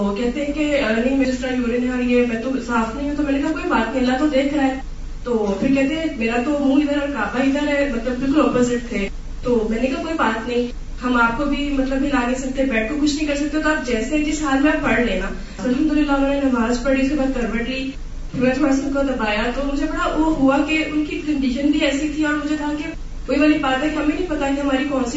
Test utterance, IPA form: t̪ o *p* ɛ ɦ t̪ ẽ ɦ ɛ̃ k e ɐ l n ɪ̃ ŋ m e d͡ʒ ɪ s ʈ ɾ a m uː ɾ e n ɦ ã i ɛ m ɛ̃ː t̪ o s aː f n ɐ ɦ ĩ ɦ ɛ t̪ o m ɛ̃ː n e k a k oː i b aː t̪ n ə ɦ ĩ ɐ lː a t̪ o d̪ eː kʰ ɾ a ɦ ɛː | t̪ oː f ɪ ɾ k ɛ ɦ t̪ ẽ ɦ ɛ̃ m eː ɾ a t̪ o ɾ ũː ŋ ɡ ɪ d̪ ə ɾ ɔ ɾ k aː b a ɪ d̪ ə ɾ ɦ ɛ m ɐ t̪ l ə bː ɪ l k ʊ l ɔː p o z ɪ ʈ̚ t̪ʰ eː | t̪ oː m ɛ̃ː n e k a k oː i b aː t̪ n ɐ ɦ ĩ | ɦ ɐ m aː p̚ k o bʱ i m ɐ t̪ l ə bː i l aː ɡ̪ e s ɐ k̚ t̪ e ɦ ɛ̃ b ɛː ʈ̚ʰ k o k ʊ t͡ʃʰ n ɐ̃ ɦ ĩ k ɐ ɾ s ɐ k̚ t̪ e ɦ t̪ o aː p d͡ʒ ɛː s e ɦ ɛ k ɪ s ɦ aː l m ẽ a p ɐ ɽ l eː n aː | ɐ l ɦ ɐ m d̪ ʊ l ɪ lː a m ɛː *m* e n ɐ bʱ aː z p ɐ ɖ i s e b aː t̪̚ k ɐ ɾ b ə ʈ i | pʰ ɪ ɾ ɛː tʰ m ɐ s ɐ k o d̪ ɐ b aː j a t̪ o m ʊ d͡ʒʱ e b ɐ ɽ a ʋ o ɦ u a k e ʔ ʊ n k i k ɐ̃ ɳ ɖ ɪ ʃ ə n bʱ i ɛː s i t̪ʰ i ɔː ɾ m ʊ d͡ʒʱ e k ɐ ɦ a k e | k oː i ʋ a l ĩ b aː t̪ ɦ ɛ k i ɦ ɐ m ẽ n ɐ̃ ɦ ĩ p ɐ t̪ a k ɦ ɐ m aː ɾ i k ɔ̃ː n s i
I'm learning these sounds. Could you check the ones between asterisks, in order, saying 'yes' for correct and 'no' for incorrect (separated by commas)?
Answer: no, no